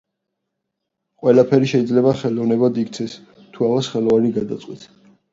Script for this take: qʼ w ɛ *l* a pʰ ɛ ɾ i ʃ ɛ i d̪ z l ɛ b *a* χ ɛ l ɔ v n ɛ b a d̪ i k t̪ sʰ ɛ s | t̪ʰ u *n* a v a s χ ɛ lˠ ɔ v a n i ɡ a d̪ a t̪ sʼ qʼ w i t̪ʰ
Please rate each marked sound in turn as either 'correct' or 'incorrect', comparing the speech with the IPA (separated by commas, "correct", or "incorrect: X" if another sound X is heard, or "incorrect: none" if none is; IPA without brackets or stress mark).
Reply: correct, correct, incorrect: none